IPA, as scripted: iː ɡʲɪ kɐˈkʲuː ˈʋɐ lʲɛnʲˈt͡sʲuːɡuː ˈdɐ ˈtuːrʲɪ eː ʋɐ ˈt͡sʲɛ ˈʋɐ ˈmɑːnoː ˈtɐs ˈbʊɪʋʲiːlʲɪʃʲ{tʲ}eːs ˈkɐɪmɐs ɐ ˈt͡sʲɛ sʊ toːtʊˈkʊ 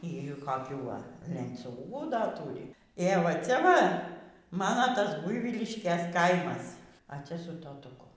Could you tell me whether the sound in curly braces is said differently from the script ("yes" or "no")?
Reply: yes